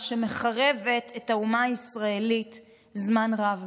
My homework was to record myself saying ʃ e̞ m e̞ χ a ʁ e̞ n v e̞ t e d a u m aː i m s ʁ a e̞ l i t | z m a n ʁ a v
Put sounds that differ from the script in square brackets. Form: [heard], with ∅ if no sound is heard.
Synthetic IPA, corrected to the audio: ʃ e̞ m e̞ χ a ʁ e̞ [∅] v e̞ t e [t] a u m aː i [∅] s ʁ a e̞ l i t | z m a n ʁ a v